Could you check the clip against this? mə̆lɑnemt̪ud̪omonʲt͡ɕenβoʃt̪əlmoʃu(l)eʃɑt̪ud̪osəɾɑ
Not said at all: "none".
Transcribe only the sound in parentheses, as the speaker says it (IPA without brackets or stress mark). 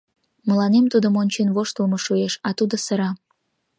none